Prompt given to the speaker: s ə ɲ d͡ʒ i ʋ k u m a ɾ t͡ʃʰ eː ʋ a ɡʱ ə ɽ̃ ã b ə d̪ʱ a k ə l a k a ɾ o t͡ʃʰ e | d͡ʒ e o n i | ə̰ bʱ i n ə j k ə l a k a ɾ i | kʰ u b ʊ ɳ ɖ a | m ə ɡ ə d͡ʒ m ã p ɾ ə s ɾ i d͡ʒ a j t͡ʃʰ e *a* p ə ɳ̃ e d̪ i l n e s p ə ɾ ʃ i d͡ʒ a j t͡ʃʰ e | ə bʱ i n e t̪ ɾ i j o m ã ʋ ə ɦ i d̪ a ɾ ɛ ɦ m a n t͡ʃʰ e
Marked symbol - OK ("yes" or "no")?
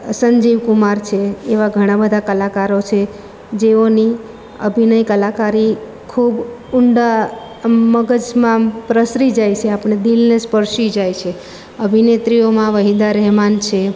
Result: yes